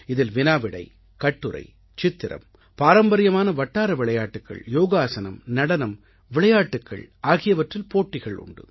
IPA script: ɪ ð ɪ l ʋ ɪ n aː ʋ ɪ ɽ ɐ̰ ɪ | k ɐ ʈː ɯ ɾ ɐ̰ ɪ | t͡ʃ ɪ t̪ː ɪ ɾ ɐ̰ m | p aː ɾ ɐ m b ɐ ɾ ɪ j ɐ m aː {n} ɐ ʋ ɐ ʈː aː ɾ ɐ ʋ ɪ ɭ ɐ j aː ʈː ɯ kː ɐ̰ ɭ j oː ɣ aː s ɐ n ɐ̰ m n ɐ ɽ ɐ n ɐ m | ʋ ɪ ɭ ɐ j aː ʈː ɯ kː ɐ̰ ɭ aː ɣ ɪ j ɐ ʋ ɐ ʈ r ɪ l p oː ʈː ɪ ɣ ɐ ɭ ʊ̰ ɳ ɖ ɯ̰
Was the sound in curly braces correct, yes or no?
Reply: yes